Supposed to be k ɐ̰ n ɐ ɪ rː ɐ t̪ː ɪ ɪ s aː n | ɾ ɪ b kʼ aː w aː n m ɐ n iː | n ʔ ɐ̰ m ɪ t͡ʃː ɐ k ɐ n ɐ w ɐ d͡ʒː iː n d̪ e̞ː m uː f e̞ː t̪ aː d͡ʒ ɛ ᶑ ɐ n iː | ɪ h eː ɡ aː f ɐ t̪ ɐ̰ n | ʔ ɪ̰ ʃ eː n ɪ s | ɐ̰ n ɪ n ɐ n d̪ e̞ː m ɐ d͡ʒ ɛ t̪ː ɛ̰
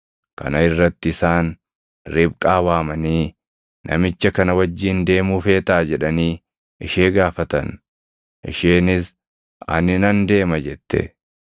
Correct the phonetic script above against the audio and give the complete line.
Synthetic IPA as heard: k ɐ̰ n ɐ ɪ rː ɐ t̪ː ɪ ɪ s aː n | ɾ ɪ b kʼ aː w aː m ɐ n iː | n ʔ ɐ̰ m ɪ t͡ʃː ɐ k ɐ n ɐ w ɐ d͡ʒː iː n d̪ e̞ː m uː f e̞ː t̪ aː d͡ʒ ɛ ᶑ ɐ n iː | ɪ ʃ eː ɡ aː f ɐ t̪ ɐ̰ n | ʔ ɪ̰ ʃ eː n ɪ s | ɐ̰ n ɪ n ɐ n d̪ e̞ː m ɐ d͡ʒ ɛ t̪ː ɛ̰